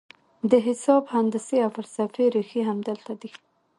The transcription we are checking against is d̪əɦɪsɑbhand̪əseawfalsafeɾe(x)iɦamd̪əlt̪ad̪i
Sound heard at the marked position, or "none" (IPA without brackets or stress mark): x